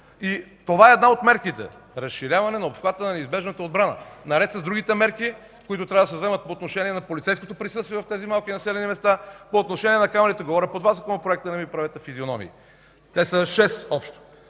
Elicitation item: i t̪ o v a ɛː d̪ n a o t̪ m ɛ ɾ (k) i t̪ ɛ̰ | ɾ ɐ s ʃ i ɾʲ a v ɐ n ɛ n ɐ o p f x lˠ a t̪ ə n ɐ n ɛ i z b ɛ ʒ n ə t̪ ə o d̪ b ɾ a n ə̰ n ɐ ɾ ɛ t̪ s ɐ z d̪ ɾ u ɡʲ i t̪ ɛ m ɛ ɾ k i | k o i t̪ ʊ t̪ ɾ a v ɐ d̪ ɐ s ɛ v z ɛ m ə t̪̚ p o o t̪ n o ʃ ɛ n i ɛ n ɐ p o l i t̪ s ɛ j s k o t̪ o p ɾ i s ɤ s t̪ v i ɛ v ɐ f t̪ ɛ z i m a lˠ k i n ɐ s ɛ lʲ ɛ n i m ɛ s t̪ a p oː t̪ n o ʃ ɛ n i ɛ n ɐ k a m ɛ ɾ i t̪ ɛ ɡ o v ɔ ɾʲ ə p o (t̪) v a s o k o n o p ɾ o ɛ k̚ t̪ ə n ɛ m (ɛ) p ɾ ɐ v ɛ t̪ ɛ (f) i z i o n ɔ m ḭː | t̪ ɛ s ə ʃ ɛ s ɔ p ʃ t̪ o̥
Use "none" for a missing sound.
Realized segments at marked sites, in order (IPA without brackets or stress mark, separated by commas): k, d̪, i, f